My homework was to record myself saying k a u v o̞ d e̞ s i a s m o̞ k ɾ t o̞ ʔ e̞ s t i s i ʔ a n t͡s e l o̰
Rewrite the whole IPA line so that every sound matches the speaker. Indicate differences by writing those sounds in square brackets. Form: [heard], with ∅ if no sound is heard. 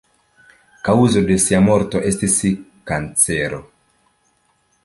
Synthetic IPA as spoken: k a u [z] o̞ d e̞ s i a [∅] m o̞ [∅] ɾ t o̞ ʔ e̞ s t i s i [k] a n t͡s e [ɾ] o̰